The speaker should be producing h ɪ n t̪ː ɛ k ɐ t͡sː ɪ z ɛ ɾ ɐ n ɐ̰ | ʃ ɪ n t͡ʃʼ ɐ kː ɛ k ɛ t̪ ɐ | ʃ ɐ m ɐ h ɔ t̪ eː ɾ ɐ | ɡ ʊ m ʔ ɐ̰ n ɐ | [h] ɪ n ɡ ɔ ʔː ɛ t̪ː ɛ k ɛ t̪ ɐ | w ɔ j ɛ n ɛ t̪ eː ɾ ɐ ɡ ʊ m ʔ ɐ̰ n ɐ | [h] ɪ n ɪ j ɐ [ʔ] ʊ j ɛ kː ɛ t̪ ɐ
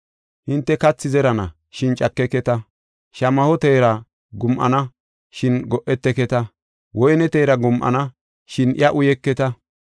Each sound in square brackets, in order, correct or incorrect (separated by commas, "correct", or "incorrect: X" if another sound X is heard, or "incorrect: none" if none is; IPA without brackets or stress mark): incorrect: ʃ, incorrect: ʃ, correct